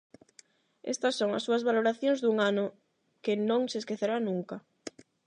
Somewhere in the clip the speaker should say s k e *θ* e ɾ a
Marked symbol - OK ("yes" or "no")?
yes